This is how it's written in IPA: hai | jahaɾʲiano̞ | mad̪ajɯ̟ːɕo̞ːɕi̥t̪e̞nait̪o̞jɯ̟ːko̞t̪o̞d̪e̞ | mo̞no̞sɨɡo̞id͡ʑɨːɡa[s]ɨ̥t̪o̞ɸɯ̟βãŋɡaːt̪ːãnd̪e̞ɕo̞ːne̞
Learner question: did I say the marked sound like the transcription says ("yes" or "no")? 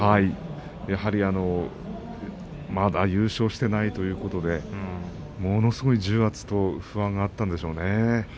no